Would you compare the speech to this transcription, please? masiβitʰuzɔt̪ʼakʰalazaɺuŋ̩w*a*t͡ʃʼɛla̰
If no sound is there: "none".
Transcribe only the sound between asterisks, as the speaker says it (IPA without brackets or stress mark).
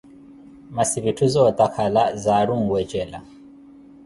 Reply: ɛ